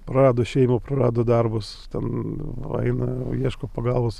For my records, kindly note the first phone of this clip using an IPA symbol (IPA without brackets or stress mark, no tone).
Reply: p